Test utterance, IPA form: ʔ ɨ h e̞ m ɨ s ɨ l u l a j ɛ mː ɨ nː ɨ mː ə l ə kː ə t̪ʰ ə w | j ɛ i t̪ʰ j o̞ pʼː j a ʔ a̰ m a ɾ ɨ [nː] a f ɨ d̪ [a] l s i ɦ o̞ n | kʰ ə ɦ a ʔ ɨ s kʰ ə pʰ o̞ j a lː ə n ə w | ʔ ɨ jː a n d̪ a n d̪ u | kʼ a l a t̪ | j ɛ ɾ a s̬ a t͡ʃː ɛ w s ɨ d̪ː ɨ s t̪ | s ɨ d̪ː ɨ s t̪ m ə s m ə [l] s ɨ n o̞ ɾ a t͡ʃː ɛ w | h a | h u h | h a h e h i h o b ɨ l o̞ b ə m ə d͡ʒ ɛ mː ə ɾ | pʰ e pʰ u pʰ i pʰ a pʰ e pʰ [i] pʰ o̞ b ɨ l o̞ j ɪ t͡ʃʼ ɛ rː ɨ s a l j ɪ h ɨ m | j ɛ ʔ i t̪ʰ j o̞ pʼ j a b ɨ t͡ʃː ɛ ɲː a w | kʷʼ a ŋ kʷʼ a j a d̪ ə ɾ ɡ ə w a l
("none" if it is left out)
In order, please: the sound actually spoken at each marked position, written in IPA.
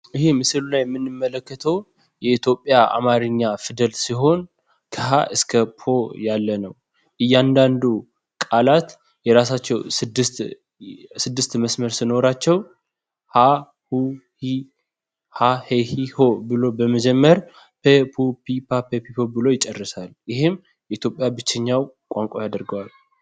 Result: ɲː, ə, ɾ, i

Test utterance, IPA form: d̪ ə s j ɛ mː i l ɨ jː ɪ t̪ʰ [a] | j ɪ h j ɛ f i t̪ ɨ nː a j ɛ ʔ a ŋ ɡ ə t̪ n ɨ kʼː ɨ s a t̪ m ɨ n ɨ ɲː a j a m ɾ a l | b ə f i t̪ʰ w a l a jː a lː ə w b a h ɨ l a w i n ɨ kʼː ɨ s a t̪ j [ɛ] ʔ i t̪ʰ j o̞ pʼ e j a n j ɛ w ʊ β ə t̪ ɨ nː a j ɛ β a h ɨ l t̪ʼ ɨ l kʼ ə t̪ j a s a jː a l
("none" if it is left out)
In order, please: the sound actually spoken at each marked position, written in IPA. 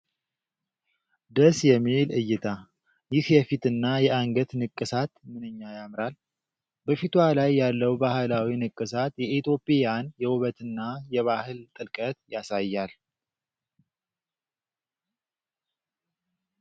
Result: a, ɛ

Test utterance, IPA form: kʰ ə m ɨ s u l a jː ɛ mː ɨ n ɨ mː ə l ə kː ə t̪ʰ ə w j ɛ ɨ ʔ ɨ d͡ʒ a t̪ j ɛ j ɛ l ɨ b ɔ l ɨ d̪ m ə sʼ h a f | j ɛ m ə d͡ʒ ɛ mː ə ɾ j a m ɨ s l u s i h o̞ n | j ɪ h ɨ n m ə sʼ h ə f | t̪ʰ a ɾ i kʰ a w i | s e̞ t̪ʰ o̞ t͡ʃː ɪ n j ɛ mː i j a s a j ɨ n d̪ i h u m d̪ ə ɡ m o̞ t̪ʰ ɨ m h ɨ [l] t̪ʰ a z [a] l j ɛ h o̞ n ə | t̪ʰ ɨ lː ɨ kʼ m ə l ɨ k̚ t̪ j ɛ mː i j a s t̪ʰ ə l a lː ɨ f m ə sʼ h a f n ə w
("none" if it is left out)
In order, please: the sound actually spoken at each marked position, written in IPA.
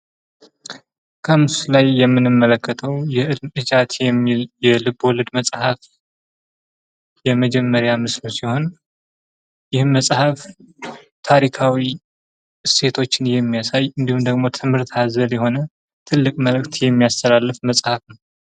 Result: ɾ, ə

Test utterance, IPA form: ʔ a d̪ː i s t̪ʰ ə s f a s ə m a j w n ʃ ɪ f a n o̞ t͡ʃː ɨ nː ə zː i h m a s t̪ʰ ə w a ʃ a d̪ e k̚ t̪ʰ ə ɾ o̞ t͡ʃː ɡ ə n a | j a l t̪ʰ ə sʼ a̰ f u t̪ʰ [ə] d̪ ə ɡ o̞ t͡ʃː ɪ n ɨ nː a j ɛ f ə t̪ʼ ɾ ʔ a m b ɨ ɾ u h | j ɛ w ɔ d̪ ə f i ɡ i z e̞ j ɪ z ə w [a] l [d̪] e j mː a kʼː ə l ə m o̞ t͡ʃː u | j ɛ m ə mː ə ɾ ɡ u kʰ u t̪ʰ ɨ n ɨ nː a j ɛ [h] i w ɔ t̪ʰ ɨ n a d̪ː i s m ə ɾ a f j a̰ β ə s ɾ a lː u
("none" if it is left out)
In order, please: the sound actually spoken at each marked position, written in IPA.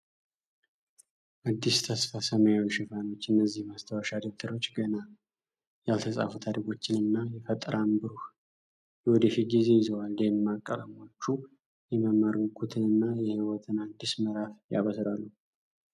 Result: a, a, d̪, h

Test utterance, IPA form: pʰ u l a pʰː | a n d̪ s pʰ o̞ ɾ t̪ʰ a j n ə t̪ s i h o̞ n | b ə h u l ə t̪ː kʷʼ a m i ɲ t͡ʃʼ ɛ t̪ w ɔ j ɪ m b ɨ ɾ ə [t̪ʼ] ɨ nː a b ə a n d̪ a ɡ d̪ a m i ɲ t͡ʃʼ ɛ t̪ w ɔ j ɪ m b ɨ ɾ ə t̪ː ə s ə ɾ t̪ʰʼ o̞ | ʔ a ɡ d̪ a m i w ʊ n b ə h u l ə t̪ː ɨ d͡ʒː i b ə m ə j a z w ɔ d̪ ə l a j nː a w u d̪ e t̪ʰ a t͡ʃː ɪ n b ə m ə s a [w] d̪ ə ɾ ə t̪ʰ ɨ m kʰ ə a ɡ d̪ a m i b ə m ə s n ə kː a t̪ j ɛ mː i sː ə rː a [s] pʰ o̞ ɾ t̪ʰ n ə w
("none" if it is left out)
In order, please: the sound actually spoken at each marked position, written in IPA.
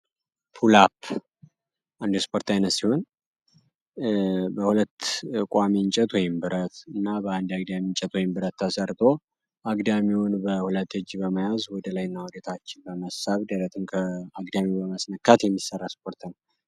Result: t̪, β, s

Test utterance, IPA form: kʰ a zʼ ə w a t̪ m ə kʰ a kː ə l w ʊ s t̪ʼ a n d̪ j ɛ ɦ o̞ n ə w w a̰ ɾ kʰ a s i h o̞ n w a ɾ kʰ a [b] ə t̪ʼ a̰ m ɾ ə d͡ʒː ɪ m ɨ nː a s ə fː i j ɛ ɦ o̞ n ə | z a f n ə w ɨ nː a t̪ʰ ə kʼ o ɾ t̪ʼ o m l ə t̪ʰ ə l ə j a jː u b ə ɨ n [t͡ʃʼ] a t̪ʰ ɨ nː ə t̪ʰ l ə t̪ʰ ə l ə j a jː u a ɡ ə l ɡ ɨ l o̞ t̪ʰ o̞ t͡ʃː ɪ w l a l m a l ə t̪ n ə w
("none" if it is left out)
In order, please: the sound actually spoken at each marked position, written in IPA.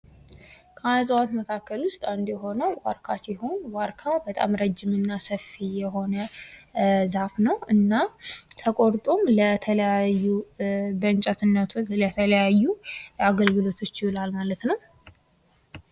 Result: b, t͡ʃʼ

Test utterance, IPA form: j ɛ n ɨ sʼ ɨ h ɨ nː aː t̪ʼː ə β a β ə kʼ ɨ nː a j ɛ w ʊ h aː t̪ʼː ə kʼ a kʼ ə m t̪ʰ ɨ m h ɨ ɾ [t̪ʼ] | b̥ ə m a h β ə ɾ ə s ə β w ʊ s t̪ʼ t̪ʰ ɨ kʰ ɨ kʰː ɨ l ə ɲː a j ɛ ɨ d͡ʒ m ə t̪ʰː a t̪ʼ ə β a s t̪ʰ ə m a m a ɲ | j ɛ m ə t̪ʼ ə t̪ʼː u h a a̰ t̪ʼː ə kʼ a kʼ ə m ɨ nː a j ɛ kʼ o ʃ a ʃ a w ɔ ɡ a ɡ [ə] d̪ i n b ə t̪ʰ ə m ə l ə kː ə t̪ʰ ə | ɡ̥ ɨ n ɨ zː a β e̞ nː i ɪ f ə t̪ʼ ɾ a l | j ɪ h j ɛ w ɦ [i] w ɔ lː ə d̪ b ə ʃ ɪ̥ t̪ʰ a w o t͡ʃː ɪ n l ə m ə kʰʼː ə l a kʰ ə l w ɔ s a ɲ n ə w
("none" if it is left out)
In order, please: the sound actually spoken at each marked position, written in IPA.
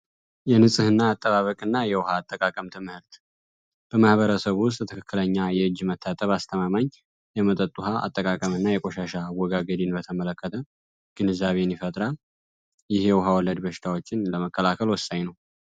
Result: t̪, ə, a

